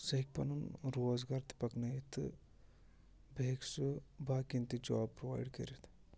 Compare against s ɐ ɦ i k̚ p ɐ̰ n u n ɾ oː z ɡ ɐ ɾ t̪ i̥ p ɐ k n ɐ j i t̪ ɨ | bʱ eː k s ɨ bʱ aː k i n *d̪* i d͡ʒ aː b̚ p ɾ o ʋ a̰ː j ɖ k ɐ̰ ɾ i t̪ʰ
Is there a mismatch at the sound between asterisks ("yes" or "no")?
yes